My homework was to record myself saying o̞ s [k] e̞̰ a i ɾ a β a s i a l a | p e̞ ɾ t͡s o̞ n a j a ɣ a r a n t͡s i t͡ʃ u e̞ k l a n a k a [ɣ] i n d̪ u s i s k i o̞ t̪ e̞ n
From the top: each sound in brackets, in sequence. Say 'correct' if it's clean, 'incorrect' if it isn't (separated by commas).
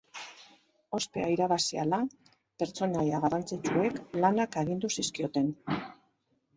incorrect, correct